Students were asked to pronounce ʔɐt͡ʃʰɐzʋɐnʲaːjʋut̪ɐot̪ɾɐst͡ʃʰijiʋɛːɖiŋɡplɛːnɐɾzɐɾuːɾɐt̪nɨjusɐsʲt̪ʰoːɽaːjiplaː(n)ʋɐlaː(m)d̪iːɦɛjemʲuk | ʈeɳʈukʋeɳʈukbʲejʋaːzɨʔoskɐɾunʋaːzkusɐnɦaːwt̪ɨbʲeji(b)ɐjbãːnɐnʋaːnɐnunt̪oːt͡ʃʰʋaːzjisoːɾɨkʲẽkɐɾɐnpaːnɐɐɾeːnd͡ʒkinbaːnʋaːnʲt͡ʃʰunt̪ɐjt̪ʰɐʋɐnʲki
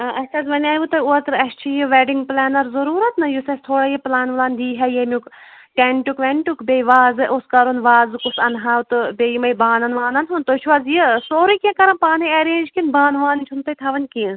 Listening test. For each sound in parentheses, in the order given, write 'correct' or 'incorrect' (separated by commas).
correct, incorrect, incorrect